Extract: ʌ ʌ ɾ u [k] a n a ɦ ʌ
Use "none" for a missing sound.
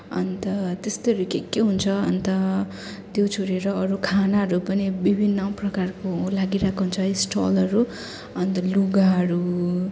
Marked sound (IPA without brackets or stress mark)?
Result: kʰ